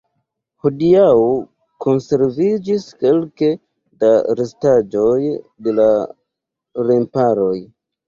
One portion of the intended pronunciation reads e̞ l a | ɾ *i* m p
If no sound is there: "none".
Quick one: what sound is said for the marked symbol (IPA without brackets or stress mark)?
e